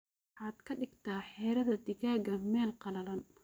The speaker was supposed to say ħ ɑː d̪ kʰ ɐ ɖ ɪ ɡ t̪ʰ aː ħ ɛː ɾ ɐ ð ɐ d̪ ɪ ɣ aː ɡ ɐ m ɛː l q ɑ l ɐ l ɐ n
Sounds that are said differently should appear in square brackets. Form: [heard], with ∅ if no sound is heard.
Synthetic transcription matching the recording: ħ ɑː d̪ kʰ ɐ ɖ ɪ ɡ t̪ʰ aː ħ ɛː ɾ ɐ ð ɐ d̪ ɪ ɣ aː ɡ ɐ m ɛː l q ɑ l ɐ l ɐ n